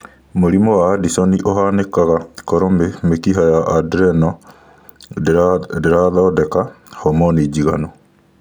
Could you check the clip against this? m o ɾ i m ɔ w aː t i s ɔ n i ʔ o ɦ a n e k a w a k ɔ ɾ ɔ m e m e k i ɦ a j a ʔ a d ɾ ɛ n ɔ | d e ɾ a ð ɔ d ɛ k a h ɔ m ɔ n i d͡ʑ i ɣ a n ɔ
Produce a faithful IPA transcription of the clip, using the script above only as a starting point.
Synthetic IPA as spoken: m o ɾ i m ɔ w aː d i s ɔ n i ʔ o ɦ a n e k a ɣ a k ɔ ɾ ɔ m e m e k i ɦ a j a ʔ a d ɾ ɛ n ɔ | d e ɾ a ð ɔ d ɛ k a h ɔ m ɔ n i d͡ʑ i ɣ a n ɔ

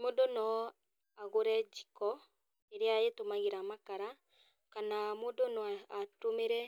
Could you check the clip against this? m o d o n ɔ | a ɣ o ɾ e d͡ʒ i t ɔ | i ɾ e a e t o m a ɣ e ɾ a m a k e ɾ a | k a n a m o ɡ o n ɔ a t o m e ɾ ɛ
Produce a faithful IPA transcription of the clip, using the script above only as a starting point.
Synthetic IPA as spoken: m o d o n ɔ | a ɣ o ɾ ɛ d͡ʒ i k ɔ | e ɾ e a e t o m a ɣ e ɾ a m a k a ɾ a | k a n a m o d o n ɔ a t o m e ɾ ɛ

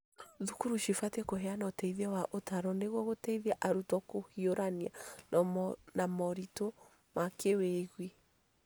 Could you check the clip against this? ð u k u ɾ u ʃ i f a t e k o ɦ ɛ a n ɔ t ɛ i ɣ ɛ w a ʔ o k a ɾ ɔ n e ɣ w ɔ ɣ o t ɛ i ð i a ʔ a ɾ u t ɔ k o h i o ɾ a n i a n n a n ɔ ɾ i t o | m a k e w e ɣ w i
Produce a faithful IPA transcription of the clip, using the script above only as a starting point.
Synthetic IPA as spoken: ð u k u ɾ u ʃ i f a t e k o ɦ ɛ a n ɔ t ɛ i ð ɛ w a ʔ o t a ɾ ɔ n e ɣ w ɔ ɣ o t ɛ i ð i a ʔ a ɾ u t ɔ k o h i o ɾ a n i a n n a m ɔ ɾ i t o | m a k e w e ɣ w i

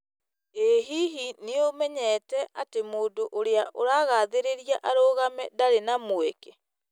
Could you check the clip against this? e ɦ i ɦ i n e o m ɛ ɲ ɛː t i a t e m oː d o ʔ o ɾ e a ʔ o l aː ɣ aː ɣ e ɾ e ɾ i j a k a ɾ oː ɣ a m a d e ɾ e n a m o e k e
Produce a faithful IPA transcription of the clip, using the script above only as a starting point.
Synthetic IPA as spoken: e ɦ i ɦ i n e o m ɛ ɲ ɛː t ɛ a t e m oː d o ʔ o ɾ e a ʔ o ɾ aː ɣ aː ð e ɾ e ɾ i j a ʔ a ɾ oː ɣ a m ɛ d a ɾ e n a m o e k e

